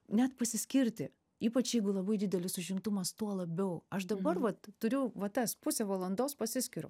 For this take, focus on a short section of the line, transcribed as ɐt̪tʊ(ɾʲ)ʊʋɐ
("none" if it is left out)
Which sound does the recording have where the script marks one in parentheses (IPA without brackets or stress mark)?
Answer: ɾʲ